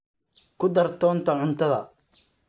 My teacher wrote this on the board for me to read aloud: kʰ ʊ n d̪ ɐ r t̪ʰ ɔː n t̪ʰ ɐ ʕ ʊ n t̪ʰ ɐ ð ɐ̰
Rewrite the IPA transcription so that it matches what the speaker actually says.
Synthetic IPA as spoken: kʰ ʊ d̪ ɐ r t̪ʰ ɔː n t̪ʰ ɐ ʕ ʊ n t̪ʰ ɐ ð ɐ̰